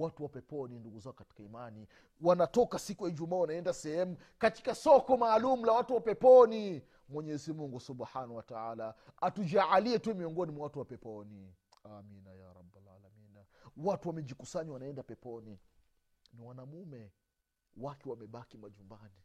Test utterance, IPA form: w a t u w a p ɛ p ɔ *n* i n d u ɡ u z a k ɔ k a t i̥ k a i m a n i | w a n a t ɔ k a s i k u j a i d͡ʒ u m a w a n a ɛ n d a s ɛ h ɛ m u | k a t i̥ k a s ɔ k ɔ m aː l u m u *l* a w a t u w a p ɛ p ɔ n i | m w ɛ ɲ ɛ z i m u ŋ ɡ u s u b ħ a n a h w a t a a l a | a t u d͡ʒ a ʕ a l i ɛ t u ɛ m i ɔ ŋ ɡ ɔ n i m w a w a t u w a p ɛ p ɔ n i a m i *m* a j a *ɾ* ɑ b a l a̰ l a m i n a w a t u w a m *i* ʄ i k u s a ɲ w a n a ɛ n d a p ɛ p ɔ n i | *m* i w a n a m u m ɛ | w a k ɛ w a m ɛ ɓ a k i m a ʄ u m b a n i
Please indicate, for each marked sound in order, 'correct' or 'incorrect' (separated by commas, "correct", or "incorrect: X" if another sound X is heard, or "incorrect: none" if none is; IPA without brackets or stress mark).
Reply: correct, correct, incorrect: n, correct, incorrect: ɛ, incorrect: n